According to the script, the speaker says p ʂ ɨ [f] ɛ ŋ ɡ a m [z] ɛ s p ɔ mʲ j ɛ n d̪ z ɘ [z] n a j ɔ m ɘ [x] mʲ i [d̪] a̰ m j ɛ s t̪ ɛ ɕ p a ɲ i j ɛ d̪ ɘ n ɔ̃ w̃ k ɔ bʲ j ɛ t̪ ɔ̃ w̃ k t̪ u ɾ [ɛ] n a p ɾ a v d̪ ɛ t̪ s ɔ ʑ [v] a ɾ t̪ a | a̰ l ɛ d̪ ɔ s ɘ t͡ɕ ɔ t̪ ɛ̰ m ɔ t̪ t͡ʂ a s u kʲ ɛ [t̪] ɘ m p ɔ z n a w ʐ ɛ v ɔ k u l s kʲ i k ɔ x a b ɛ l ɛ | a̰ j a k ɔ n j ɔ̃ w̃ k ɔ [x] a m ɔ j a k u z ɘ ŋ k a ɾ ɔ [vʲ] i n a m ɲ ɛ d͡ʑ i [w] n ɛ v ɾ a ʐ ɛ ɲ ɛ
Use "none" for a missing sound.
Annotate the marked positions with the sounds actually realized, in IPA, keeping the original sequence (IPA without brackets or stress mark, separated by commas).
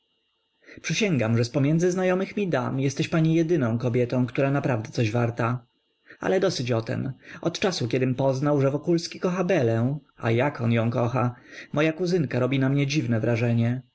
ɕ, ʐ, z, x, d̪, a, v, d̪, x, bʲ, v